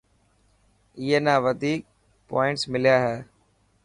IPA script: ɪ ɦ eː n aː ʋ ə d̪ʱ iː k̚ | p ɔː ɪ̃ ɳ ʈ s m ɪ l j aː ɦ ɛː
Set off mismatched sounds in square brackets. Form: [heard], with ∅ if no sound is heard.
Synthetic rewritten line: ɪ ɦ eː n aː ʋ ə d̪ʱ iː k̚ | p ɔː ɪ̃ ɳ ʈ s m ɪ l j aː ɦ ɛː